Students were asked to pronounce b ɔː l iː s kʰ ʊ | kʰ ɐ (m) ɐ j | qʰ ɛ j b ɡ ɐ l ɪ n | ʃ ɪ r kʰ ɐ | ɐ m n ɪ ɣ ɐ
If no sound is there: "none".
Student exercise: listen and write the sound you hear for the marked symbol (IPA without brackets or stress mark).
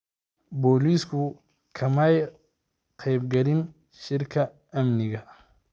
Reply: m